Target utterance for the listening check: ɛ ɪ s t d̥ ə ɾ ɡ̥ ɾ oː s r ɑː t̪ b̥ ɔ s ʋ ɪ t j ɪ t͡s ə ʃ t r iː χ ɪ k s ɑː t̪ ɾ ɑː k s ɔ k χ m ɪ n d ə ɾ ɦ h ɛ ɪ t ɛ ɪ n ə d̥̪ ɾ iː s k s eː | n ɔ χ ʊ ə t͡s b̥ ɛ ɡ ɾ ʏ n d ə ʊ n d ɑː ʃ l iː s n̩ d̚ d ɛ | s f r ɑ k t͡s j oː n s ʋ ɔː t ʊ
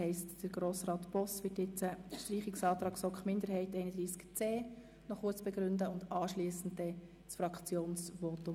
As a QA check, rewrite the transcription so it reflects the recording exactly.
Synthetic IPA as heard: ɛ ɪ s t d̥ ə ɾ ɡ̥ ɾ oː s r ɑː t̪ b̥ ɔ s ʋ ɪ t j ɪ t͡s ə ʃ t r iː χ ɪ k s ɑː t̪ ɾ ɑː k s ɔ k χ m ɪ n d ə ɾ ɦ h ɛ ɪ t ɛ ɪ n ə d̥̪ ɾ iː s k t͡s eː | n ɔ χ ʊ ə t͡s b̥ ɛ ɡ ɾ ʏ n d ə ʊ n d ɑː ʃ l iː s n̩ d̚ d ɛ | s f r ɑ k t͡s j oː n s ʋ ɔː t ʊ